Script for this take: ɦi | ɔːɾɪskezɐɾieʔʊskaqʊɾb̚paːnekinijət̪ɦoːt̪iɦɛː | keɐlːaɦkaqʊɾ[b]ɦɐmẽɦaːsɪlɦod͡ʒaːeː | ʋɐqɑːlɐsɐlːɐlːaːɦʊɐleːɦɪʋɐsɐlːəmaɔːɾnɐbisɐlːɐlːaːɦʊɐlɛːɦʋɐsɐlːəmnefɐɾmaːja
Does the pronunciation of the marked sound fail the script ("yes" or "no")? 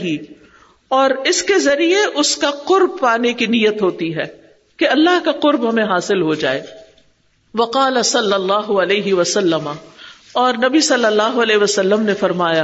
no